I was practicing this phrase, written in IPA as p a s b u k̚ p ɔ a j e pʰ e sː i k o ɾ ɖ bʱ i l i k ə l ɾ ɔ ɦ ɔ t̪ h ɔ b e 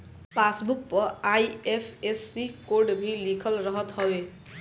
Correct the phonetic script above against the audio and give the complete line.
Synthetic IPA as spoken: p a s b u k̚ p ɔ a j e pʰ e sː i k o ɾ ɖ bʱ i l i kʰ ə l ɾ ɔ ɦ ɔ t̪ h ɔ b e